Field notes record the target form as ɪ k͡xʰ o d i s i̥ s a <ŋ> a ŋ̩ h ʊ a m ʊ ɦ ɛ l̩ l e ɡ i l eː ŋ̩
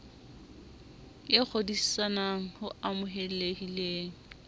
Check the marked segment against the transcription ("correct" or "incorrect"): incorrect